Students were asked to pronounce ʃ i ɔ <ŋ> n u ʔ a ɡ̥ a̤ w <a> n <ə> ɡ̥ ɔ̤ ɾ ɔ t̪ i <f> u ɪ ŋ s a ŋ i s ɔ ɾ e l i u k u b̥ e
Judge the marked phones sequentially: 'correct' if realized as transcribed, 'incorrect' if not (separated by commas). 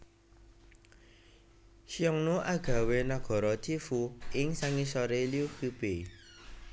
correct, incorrect, incorrect, correct